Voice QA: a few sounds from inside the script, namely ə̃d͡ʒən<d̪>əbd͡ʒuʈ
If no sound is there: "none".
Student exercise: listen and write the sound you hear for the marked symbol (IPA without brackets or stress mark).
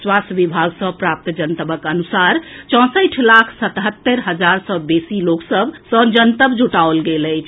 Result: t̪